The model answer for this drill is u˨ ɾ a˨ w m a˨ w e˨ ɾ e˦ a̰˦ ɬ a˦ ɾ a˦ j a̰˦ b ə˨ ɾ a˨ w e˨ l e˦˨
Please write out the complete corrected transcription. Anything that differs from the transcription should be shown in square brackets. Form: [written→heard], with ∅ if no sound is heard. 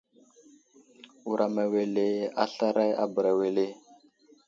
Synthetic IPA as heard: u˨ ɾ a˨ [w→∅] m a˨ w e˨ [ɾ→l] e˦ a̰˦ ɬ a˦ ɾ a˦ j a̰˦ b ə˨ ɾ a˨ w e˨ l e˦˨